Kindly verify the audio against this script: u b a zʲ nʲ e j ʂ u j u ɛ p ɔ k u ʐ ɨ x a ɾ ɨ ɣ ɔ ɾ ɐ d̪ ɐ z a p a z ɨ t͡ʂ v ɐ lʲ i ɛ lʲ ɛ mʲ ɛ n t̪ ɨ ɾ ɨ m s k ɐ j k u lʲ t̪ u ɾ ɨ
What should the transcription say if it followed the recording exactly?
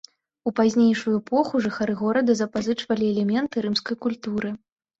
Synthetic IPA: u p a zʲ nʲ e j ʂ u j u ɛ p ɔ x u ʐ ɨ x a ɾ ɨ ɣ ɔ ɾ ɐ d̪ ɐ z ɐ p a z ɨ t͡ʂ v ɐ lʲ i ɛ lʲ ɛ mʲ ɛ n t̪ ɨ ɾ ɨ m s k ɐ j k u lʲ t̪ u ɾ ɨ